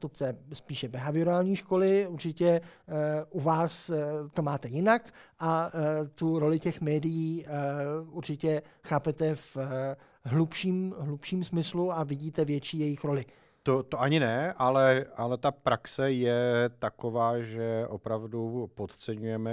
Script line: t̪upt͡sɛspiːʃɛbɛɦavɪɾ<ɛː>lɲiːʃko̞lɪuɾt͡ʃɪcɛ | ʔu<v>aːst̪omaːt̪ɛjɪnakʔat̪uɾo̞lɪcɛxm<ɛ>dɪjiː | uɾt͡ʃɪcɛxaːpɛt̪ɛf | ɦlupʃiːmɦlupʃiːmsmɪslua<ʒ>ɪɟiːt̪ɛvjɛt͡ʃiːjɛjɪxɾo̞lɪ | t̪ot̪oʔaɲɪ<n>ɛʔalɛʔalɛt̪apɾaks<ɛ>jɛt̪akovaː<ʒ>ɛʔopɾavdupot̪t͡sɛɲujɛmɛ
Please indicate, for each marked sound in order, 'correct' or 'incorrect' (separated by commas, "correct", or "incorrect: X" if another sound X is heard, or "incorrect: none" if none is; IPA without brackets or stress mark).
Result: incorrect: aː, correct, incorrect: ɛː, incorrect: v, correct, correct, correct